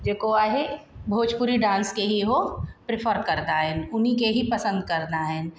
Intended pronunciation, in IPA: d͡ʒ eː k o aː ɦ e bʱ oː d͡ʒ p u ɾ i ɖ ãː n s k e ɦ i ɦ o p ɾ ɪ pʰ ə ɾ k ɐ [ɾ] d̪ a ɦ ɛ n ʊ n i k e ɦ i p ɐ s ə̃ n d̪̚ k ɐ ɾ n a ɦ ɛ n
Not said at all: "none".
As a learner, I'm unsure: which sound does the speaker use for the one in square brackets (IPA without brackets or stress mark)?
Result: ɾ